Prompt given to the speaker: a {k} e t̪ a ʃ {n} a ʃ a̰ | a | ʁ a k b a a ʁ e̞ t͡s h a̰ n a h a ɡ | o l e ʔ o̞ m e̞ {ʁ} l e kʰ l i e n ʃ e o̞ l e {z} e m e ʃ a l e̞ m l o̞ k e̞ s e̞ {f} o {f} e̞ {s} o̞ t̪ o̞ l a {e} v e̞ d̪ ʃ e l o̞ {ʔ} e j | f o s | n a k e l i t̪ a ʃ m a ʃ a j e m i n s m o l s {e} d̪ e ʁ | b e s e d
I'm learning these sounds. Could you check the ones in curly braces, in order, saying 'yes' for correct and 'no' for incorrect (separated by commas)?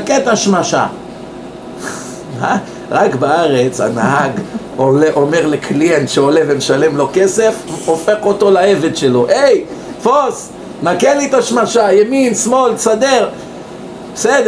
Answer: yes, no, yes, no, yes, yes, no, yes, yes, no